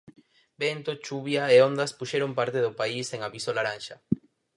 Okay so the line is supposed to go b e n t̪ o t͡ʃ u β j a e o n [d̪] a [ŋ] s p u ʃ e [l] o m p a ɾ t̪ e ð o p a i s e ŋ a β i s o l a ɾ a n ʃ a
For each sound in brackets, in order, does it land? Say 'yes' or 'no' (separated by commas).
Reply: yes, no, no